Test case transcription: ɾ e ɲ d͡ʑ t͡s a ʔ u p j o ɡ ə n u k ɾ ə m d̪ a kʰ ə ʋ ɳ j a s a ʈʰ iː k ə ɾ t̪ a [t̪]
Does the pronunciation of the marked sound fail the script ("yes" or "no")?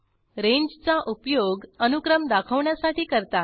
yes